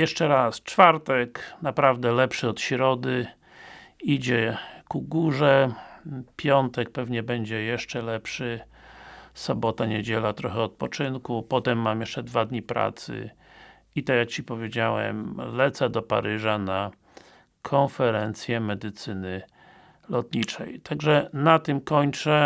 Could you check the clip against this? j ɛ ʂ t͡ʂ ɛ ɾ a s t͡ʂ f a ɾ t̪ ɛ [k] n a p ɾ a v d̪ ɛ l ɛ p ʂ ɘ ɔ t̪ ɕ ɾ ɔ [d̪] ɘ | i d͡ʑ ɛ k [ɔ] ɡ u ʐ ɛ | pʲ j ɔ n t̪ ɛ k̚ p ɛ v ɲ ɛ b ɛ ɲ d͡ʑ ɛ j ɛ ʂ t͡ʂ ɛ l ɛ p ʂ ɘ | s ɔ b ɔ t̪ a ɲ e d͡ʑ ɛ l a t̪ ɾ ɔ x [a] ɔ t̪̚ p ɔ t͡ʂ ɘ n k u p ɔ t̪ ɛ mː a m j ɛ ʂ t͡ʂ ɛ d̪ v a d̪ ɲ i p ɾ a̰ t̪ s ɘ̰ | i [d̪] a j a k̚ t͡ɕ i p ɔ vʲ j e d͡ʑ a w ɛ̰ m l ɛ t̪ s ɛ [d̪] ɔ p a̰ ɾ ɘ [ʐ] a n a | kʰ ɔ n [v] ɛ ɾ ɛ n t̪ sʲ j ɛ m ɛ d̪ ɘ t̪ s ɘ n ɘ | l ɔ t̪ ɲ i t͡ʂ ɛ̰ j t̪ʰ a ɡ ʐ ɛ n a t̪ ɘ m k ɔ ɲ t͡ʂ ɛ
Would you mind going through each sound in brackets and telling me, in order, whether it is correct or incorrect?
correct, correct, incorrect: u, incorrect: ɛ, incorrect: t̪, correct, correct, incorrect: f

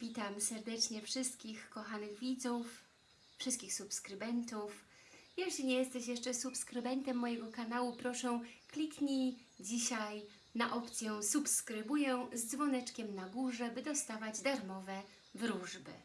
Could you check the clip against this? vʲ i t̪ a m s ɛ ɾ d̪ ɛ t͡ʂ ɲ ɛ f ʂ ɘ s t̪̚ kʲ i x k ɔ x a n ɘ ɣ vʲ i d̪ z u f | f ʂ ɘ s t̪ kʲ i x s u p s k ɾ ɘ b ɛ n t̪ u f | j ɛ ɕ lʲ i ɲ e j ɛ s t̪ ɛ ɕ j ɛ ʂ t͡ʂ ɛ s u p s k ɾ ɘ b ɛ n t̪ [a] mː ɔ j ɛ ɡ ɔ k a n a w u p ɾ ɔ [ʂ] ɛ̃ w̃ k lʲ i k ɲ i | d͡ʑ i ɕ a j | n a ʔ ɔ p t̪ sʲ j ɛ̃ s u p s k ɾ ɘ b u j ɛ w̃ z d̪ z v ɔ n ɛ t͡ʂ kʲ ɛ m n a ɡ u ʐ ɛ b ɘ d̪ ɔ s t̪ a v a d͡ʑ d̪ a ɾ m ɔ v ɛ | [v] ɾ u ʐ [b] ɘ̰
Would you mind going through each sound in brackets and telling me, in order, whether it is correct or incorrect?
incorrect: ɛ, correct, correct, correct

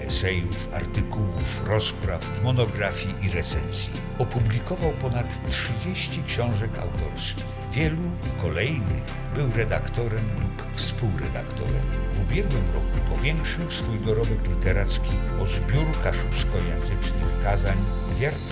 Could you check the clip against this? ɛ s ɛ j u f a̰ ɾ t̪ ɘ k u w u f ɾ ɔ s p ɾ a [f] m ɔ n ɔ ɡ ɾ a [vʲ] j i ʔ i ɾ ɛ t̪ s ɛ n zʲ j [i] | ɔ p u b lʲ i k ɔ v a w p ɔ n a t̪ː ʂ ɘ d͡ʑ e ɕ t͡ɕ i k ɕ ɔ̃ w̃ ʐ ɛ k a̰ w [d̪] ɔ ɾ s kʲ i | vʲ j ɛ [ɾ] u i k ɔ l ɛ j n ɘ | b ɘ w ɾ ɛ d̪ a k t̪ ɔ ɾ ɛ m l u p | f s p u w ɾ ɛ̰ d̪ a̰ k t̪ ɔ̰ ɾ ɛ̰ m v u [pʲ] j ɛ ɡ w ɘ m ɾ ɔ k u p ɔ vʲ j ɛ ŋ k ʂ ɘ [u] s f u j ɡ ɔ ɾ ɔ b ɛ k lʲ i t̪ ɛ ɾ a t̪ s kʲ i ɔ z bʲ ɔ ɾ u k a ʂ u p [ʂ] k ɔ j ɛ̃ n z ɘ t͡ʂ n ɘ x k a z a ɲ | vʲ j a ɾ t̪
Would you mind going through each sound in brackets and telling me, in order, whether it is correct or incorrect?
correct, incorrect: fʲ, correct, incorrect: t̪, incorrect: l, incorrect: bʲ, incorrect: w, incorrect: s

